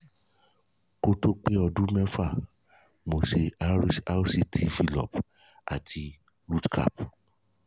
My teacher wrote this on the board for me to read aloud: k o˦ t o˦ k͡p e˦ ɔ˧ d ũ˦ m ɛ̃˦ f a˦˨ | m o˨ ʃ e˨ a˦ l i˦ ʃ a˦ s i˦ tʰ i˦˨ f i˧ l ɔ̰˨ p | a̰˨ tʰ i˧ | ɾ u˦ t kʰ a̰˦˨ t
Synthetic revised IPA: k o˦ t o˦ k͡p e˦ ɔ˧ d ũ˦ m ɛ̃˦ f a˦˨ | m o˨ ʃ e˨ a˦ ɾ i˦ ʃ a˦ s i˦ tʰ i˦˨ f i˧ l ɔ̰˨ p | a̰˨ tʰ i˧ | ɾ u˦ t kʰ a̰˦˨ p